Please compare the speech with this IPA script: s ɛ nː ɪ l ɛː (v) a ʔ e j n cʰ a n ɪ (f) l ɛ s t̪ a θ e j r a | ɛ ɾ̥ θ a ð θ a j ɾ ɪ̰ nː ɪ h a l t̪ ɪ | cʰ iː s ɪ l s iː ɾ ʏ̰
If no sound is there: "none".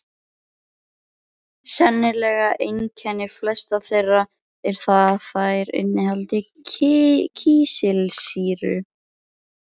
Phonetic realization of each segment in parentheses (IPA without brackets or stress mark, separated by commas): ɣ, f